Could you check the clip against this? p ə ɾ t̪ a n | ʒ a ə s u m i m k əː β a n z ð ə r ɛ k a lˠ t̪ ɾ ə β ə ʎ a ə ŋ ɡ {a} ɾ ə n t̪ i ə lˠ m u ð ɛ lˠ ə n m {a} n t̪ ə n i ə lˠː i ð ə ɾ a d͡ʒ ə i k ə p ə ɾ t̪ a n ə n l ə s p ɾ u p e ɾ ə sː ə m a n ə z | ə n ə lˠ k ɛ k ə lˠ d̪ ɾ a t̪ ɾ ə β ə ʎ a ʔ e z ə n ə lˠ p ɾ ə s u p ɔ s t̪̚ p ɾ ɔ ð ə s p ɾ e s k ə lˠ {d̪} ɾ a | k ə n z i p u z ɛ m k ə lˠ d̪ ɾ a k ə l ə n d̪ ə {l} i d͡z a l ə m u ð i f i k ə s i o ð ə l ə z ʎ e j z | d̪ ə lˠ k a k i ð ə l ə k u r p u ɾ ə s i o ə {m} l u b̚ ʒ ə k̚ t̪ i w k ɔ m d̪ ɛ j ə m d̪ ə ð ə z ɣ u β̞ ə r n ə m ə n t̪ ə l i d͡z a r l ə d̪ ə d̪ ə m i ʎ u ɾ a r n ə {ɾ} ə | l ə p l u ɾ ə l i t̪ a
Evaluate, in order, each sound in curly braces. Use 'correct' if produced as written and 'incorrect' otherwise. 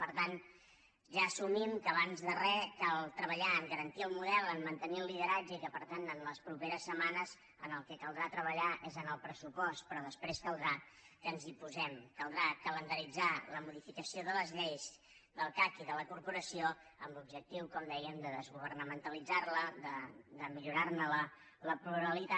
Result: incorrect, incorrect, correct, incorrect, correct, incorrect

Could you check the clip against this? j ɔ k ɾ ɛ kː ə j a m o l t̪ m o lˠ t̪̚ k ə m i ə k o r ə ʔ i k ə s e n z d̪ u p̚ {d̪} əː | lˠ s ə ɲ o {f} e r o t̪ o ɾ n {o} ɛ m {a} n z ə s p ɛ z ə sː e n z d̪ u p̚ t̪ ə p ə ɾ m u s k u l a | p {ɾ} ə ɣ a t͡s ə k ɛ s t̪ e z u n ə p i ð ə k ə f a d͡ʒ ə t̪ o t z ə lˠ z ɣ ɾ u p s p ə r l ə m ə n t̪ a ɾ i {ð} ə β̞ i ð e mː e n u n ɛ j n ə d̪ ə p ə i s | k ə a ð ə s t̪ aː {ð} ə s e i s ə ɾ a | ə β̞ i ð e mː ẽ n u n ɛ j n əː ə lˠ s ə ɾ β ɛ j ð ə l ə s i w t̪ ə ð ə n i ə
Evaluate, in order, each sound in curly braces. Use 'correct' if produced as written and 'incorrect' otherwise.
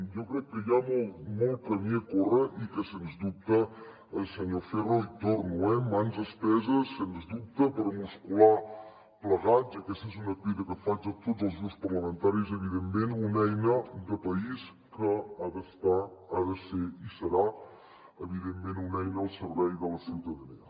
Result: incorrect, correct, incorrect, correct, incorrect, incorrect, correct

